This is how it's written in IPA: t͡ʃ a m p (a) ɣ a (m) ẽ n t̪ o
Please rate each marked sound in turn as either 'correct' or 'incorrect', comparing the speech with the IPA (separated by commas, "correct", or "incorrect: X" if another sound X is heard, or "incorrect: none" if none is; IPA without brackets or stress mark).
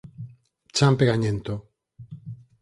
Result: incorrect: e, incorrect: ɲ